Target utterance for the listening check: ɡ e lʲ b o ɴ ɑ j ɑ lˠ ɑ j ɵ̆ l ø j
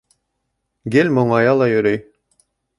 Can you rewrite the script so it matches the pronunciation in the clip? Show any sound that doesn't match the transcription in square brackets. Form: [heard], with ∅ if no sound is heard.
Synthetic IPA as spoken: ɡ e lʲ [m] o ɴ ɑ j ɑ lˠ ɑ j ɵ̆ [ɾ] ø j